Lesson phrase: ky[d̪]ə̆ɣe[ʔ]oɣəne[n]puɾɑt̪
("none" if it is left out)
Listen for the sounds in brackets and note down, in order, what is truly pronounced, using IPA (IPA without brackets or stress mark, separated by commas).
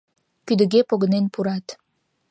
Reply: d̪, p, n